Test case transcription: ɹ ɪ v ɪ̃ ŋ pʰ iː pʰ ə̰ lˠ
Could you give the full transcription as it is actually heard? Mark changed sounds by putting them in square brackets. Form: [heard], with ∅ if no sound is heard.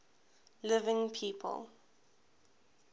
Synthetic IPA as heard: [l] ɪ v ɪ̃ ŋ pʰ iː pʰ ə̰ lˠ